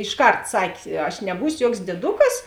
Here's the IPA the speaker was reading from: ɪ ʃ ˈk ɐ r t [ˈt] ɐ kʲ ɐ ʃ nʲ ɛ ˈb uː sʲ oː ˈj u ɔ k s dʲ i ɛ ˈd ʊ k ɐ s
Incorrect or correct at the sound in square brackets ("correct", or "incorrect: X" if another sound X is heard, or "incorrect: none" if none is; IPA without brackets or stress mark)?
incorrect: s